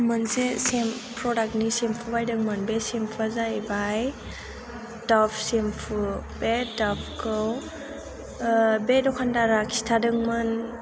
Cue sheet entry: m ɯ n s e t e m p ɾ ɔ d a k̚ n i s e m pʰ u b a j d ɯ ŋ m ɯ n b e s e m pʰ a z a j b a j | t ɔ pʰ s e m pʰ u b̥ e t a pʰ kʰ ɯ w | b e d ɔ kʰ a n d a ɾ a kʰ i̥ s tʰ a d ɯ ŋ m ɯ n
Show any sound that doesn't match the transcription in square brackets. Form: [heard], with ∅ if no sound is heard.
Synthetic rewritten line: m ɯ n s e [s] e m p ɾ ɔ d a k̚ n i s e m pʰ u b a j d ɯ ŋ m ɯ n b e s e m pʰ a z a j b a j | t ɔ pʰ s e m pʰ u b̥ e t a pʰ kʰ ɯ w | b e d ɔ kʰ a n d a ɾ a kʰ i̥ s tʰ a d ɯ ŋ m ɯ n